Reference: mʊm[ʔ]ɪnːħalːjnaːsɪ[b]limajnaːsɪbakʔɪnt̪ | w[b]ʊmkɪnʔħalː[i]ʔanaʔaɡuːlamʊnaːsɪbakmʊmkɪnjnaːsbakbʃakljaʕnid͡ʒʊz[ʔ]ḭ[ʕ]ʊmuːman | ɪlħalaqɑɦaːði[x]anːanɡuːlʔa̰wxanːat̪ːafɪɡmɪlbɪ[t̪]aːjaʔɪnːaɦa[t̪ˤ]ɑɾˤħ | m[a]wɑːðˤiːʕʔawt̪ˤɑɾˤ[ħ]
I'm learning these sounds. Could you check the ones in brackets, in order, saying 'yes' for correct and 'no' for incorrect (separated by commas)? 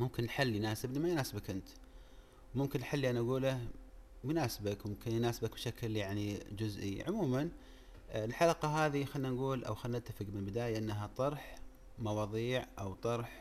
no, yes, no, yes, yes, yes, yes, no, yes, no, yes